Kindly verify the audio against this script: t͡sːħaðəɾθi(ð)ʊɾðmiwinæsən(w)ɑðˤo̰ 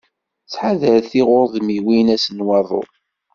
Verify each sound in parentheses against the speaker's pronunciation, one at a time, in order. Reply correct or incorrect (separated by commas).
incorrect, correct